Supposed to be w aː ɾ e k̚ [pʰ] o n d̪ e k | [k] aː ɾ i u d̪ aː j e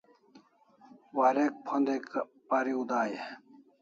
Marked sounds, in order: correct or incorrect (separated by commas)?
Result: correct, incorrect